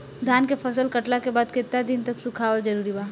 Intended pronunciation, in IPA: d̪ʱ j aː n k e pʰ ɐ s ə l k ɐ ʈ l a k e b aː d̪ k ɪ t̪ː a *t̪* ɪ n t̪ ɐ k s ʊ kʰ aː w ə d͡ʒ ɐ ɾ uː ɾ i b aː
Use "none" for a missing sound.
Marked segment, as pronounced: d̪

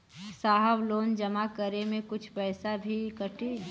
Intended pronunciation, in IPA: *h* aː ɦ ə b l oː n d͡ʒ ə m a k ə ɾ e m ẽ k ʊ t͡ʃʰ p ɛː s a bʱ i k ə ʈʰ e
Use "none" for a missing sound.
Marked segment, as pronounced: s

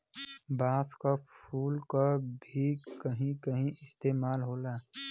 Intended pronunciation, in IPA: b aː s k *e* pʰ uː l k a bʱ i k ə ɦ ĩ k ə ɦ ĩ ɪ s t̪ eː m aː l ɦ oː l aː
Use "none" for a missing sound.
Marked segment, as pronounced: a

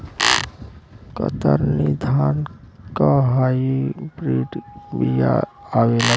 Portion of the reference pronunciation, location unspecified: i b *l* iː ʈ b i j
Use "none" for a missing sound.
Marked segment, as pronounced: ɾ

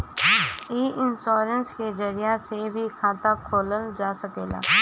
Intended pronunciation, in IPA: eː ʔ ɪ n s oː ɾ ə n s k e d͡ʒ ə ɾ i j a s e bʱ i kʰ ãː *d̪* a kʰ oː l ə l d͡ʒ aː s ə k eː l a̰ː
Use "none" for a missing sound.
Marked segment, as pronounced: t̪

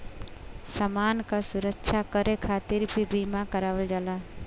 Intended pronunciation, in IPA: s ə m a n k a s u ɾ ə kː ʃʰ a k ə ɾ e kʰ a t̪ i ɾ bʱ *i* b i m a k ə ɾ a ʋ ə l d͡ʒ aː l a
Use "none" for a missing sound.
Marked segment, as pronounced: i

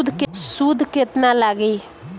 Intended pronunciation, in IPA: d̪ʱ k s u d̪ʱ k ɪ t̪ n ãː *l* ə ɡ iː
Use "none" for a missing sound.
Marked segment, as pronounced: l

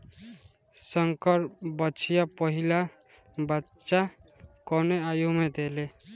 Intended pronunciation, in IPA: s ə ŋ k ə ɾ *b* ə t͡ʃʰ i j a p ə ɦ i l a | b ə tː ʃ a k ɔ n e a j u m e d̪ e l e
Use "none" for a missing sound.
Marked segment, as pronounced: b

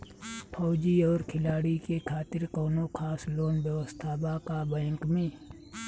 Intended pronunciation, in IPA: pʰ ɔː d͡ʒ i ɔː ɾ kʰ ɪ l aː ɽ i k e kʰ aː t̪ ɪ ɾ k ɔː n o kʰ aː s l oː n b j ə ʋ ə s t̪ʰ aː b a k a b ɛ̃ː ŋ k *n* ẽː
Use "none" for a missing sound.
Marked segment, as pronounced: m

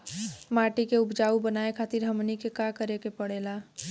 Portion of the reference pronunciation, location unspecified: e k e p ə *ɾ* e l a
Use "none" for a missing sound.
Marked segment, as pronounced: ɽ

